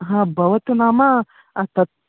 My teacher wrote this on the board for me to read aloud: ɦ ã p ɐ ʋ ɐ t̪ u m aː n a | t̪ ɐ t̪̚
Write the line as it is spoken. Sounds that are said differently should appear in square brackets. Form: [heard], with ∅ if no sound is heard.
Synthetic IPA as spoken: ɦ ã [b] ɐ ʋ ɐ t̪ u [n] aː [m] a | t̪ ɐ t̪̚